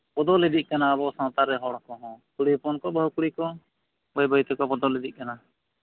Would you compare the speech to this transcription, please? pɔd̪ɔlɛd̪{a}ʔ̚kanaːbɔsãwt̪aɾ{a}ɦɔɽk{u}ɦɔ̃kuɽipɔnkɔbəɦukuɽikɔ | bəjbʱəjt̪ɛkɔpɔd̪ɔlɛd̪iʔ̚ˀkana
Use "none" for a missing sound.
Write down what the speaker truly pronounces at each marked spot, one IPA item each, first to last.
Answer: i, ɛ, ɔ

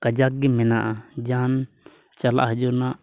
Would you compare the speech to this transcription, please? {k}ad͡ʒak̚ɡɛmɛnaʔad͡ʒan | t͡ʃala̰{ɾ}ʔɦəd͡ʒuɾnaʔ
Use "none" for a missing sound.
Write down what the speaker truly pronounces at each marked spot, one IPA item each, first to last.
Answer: k, none

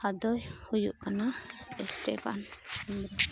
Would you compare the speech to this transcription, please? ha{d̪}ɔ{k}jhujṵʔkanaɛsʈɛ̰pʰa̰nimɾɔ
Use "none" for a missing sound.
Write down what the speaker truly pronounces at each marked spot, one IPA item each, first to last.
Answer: d̪, none

